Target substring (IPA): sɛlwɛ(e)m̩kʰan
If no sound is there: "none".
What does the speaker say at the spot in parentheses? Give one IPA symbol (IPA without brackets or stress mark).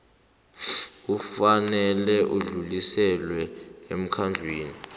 e